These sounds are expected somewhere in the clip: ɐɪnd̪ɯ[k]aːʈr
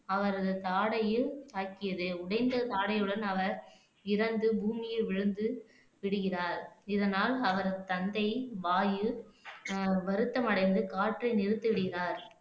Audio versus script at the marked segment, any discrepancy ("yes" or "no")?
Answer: no